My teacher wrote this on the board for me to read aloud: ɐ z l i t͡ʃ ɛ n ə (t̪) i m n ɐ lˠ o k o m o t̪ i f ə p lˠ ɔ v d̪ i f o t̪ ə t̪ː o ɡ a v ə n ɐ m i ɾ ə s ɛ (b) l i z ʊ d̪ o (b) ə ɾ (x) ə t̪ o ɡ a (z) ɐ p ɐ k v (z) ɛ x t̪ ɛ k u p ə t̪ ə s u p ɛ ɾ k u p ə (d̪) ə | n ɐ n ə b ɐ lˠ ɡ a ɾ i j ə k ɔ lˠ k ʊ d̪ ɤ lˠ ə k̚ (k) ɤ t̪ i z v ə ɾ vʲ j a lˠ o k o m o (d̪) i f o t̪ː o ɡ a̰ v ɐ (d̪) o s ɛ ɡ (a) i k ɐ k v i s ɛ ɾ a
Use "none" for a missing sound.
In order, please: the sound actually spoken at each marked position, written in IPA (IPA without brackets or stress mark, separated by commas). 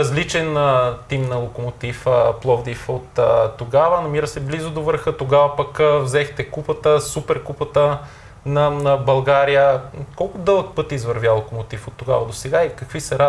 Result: t̪, b, v, x, v, z, t̪, p, t̪, d̪, a